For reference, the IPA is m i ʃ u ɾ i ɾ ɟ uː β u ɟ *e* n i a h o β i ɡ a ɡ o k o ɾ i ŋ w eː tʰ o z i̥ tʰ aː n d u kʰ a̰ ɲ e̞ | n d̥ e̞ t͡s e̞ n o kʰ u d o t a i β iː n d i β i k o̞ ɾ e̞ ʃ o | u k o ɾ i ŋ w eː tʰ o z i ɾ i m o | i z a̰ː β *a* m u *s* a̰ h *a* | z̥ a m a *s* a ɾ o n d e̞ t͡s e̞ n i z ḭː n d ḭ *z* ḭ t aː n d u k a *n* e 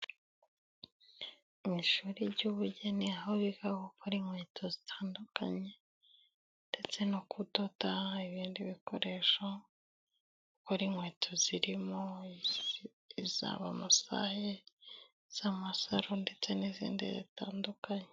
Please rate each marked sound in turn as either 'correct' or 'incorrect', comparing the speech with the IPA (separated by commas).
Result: correct, correct, correct, incorrect, correct, correct, incorrect